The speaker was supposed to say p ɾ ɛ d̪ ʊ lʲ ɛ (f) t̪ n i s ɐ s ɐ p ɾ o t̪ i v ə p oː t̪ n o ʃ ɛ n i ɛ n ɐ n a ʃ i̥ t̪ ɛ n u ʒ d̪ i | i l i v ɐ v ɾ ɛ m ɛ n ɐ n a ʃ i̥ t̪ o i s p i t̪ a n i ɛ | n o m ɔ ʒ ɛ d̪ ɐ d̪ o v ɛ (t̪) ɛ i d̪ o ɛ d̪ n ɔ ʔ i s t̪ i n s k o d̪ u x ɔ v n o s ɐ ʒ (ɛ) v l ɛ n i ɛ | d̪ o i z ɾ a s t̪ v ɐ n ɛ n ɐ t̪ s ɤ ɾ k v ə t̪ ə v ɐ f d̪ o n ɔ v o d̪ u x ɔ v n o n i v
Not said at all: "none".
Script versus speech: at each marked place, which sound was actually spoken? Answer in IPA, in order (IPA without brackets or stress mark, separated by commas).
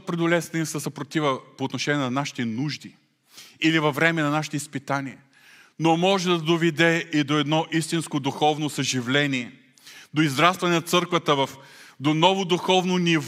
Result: s, d̪, i